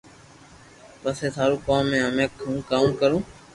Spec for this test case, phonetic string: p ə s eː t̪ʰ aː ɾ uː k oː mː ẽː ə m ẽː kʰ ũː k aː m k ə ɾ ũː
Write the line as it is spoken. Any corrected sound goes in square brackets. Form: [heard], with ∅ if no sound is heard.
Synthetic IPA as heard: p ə s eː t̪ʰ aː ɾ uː k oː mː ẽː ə m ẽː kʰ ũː k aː m k ə ɾ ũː